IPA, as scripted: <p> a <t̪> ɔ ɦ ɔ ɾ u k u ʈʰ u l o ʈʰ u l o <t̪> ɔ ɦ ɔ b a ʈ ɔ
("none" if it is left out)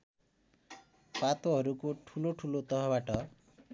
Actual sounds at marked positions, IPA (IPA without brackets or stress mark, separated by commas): p, t̪, t̪